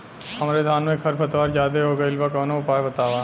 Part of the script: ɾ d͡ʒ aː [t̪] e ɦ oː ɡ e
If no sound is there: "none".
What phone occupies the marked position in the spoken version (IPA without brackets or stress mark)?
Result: d̪